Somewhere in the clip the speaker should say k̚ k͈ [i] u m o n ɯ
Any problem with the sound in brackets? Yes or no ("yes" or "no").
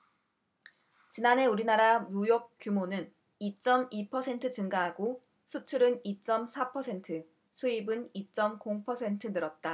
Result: yes